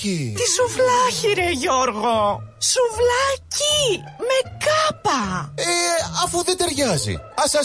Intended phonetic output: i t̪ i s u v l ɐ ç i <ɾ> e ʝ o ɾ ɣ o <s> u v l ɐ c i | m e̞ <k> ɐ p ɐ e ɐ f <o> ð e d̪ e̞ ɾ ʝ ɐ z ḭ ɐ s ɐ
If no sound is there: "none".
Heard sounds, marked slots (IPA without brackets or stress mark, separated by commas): ɾ, s, k, u